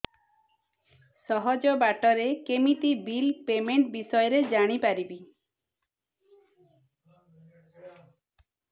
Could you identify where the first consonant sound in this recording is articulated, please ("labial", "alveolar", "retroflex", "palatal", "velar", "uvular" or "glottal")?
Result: alveolar